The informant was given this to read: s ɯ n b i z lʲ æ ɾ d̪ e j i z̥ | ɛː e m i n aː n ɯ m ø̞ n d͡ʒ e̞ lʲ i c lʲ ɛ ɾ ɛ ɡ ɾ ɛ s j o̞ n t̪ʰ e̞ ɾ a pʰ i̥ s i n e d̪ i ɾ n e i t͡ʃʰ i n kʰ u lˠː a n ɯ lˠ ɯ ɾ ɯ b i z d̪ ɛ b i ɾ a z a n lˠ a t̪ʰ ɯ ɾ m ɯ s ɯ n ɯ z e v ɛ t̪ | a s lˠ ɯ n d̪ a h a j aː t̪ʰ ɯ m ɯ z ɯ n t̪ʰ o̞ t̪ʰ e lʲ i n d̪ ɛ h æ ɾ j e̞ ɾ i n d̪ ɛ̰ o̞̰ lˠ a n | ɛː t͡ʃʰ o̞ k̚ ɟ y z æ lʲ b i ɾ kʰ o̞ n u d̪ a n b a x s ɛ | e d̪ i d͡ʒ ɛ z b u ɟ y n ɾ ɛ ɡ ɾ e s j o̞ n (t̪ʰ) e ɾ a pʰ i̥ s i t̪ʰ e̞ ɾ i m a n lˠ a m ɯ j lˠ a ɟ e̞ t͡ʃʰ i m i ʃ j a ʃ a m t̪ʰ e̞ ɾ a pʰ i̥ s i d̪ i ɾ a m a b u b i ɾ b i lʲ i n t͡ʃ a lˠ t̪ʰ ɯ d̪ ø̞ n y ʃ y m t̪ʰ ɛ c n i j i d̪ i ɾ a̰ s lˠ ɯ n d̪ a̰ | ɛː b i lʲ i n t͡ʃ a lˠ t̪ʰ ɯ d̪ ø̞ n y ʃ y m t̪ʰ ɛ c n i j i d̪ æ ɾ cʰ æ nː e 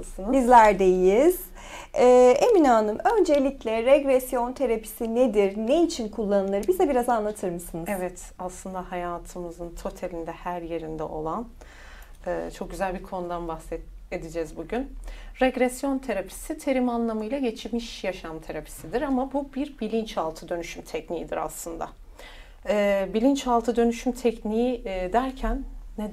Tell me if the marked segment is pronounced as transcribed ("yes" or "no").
yes